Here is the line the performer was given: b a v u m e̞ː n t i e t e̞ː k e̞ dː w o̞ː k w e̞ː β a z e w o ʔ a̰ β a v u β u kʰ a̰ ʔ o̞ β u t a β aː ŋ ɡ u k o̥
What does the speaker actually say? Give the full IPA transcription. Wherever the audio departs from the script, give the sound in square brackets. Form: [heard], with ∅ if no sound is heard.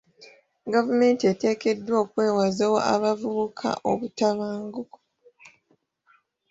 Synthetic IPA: [ɡ] a v u m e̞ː n t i e t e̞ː k e̞ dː w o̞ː k w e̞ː [w] a z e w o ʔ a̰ β a v u β u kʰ a̰ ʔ o̞ β u t a β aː ŋ ɡ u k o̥